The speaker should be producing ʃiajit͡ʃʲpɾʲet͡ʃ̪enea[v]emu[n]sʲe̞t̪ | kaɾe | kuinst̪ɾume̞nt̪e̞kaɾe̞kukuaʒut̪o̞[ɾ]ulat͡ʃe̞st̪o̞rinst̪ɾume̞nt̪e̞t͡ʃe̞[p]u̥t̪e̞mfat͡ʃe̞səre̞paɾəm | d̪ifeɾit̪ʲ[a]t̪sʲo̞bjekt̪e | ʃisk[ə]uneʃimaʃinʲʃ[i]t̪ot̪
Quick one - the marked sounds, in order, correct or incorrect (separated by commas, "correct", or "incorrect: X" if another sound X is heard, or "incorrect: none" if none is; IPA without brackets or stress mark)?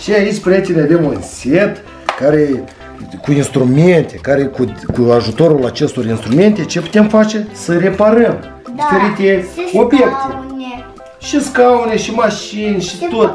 correct, correct, correct, correct, incorrect: e, incorrect: a, correct